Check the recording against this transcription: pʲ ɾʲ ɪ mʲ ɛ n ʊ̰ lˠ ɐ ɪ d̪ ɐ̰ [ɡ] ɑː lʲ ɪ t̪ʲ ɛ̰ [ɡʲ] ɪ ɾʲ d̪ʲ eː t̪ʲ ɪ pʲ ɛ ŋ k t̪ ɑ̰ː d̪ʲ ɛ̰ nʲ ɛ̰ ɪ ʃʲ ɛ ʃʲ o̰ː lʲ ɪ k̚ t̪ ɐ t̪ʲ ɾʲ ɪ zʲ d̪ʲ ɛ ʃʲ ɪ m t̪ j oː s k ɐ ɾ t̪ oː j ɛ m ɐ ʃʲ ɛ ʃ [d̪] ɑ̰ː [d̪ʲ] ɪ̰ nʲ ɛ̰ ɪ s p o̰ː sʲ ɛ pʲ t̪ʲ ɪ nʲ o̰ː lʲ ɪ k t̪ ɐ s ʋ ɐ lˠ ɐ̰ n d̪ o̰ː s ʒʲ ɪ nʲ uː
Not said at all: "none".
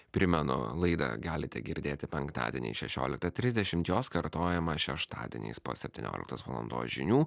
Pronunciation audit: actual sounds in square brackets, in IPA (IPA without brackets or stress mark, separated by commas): ɡ, ɡʲ, t̪, d̪ʲ